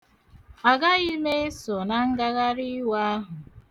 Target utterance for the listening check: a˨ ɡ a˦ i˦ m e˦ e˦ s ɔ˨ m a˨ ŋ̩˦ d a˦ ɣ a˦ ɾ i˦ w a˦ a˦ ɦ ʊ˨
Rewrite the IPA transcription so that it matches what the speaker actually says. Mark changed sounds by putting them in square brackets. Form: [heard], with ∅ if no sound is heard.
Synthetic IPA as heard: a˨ ɡ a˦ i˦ m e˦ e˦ s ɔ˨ [n] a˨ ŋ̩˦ [ɡ] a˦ ɣ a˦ ɾ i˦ w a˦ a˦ ɦ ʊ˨

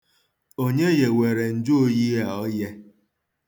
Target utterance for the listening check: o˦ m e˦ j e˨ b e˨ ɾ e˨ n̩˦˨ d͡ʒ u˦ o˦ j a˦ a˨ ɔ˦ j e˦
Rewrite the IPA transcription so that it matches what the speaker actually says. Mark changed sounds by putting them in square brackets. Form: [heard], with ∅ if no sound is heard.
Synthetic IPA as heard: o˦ [ɲ] e˦ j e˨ [w] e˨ ɾ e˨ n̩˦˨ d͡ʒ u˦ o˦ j [i˦] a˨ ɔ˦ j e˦

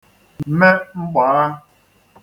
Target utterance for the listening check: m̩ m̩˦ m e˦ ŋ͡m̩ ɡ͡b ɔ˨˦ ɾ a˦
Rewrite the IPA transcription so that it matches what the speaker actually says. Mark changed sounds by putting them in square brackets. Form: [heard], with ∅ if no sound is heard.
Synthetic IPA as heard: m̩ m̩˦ m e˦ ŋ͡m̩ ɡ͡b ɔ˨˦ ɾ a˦

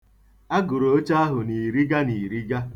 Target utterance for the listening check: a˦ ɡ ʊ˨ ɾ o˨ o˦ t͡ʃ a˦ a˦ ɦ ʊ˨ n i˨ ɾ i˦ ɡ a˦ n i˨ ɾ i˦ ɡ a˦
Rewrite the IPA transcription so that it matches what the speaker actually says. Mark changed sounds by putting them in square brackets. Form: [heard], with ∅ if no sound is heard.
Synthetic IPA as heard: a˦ ɡ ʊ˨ ɾ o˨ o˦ t͡ʃ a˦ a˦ ɦ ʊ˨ n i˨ ɾ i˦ ɡ a˦ n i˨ ɾ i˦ ɡ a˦

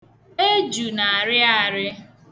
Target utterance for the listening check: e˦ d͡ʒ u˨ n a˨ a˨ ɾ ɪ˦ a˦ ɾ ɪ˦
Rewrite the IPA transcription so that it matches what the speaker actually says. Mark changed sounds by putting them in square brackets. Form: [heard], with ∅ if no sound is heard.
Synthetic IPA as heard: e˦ d͡ʒ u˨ n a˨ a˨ ɾ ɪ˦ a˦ ɾ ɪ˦

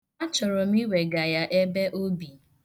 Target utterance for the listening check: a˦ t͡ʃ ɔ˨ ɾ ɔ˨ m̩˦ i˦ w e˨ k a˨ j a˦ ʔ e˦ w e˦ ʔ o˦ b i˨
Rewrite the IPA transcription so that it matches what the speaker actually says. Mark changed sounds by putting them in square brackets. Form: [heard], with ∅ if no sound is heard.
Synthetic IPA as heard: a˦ t͡ʃ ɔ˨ ɾ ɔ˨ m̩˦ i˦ w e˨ [ɡ] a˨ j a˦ ʔ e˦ [b] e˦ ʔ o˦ b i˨

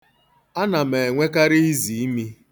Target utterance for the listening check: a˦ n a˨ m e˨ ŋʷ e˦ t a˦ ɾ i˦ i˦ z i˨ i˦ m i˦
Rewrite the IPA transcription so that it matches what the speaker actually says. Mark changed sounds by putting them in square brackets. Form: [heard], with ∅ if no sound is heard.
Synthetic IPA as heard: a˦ n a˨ m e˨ ŋʷ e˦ [k] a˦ ɾ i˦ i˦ z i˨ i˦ m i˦

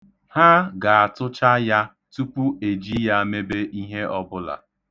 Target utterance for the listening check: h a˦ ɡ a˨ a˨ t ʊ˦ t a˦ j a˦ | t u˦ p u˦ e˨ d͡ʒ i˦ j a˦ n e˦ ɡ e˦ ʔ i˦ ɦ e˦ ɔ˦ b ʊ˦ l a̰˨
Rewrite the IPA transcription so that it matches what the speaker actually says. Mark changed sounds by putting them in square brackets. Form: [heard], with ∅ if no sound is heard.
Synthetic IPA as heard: h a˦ ɡ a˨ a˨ t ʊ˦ [t͡ʃ] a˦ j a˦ | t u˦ p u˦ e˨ d͡ʒ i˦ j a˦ [m] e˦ [b] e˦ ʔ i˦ ɦ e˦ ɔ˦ b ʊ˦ l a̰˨

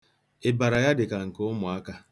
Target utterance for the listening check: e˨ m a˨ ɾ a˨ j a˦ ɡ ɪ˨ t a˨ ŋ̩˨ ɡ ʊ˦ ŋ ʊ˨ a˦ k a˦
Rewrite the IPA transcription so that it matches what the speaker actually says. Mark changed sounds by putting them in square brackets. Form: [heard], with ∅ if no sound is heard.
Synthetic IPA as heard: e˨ [b] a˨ ɾ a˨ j a˦ [d] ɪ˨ [k] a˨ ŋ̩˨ [k] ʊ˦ [m] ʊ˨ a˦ k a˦

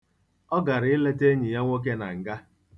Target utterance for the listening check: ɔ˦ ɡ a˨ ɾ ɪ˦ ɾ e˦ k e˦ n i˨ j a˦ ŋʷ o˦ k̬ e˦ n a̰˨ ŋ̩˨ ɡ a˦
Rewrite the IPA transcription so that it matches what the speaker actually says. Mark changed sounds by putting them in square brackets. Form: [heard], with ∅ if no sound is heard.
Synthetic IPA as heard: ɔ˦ ɡ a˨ ɾ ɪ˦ [l] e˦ [t] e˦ [ɲ] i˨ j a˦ ŋʷ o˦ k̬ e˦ n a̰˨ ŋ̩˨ ɡ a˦

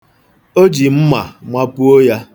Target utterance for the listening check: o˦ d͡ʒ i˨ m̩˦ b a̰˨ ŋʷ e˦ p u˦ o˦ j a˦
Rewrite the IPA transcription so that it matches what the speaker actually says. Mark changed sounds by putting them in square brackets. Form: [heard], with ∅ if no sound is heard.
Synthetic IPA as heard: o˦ d͡ʒ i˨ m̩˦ [m] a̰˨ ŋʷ [a˦] p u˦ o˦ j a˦

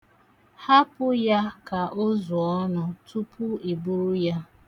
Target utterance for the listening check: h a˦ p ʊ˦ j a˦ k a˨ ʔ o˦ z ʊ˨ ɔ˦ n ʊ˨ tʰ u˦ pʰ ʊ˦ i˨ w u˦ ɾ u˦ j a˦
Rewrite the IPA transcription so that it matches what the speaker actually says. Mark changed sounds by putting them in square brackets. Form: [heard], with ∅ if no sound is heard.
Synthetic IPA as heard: h a˦ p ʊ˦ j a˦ k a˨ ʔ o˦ z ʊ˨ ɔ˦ n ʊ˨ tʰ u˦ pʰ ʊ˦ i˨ [b] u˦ ɾ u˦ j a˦

